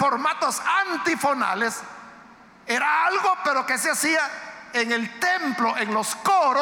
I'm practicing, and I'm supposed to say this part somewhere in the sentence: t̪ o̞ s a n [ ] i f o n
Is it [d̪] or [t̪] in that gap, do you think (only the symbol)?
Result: t̪